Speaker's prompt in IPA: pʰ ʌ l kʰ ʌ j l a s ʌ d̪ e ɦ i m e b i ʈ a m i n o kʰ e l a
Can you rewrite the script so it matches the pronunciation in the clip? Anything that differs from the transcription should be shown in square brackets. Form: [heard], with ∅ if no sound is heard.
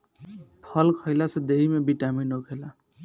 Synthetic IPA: pʰ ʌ l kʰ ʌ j l a s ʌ d̪ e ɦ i m e b i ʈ a m i n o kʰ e l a